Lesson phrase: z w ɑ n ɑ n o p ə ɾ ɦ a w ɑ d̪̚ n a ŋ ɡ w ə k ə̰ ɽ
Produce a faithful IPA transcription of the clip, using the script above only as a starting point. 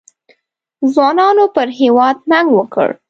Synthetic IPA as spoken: z w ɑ n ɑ n o p ə ɾ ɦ e w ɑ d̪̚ n a ŋ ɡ w ə k ə̰ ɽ